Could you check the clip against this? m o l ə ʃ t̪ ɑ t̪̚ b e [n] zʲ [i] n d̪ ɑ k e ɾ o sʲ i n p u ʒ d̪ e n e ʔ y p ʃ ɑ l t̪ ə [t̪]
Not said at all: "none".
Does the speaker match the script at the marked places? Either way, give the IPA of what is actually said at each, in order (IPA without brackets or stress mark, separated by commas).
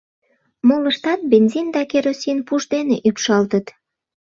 n, i, t̪